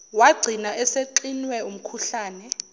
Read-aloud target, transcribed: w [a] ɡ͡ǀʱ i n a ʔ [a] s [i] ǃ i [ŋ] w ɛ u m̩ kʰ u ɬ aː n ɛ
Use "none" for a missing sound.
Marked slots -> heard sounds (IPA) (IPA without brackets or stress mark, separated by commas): a, ɛ, e, n